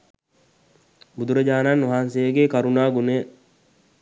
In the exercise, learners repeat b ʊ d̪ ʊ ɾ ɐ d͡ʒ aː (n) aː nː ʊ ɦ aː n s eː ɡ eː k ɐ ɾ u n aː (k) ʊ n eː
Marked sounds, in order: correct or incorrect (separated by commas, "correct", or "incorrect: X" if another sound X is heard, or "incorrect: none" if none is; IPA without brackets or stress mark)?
correct, incorrect: ɡ